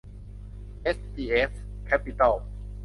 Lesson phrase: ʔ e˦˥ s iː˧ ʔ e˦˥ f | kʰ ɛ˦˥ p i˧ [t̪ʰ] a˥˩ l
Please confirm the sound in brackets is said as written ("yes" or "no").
no